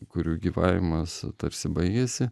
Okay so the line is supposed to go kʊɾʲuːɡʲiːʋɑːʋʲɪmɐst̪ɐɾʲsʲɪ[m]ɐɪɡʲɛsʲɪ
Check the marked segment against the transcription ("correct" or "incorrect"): incorrect